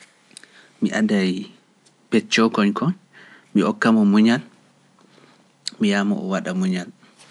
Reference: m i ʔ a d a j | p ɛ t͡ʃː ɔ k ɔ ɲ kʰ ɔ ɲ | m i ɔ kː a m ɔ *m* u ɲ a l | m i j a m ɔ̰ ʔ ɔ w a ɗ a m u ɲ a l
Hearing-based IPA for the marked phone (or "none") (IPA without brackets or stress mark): m